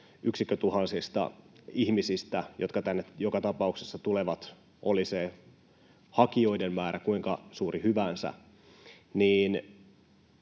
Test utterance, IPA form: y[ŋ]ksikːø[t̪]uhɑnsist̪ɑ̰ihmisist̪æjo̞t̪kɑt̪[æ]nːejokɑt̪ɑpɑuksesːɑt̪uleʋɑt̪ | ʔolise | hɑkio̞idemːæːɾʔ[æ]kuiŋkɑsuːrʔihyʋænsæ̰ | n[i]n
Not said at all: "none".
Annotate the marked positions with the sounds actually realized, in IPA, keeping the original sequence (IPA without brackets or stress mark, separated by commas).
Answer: none, t̪, æ, æ, iː